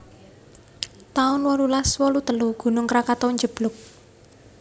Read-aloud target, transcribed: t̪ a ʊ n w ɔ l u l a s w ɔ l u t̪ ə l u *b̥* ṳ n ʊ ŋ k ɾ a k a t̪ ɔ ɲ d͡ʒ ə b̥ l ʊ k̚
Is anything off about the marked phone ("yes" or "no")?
yes